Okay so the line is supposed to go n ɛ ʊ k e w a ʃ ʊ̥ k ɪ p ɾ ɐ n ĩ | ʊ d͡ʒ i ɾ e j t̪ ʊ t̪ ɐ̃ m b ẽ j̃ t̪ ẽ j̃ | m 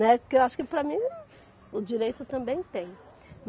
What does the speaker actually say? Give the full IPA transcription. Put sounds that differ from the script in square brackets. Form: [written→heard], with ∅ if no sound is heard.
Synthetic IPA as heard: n ɛ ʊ k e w a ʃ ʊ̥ k ɪ p ɾ ɐ [n→m] ĩ | ʊ d͡ʒ i ɾ e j t̪ ʊ t̪ ɐ̃ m b ẽ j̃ t̪ ẽ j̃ | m